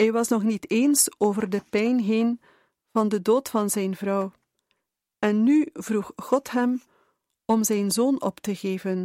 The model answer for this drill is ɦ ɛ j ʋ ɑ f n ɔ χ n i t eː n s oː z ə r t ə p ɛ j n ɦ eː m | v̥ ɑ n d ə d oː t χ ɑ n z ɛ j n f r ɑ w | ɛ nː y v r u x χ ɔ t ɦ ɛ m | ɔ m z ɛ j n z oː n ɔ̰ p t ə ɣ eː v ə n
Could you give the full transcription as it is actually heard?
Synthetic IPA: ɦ ɛ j ʋ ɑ s n ɔ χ n i t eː n s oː v ə r d ə p ɛ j n ɦ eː n | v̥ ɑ n d ə d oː t f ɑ n z ɛ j n v r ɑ w | ɛ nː y v r u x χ ɔ t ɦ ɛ m | ɔ m z ɛ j n z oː n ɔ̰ p t ə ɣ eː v ə n